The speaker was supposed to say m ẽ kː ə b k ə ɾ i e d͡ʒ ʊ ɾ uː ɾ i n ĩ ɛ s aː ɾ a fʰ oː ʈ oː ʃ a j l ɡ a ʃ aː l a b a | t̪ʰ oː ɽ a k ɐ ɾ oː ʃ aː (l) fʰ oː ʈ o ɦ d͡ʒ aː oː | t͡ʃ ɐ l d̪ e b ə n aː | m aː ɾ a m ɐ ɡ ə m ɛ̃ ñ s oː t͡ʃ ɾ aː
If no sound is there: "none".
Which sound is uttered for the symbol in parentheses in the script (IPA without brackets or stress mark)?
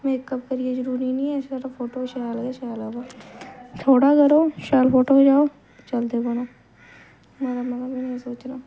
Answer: l